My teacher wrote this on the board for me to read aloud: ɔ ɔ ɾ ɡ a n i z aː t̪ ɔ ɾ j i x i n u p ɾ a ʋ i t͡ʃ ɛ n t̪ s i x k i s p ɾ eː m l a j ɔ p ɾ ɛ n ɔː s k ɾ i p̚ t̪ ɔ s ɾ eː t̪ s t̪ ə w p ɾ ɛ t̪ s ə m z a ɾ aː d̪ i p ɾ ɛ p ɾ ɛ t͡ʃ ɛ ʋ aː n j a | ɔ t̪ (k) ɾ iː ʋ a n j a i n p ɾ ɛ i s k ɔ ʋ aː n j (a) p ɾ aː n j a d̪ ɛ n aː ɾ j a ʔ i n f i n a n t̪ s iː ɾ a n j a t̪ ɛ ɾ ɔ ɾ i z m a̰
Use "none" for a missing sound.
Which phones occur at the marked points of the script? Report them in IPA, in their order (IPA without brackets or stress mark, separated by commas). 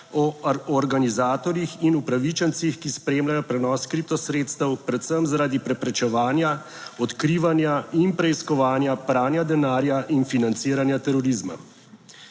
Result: k, a